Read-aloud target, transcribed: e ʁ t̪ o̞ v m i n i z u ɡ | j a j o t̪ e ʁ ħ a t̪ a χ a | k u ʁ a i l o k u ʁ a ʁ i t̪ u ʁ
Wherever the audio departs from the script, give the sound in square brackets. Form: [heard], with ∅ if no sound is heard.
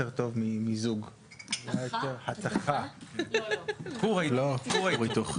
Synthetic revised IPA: e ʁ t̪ o̞ v m i [m] i z u ɡ | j a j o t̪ e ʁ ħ a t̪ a χ a | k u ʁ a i l o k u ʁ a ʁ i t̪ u [χ]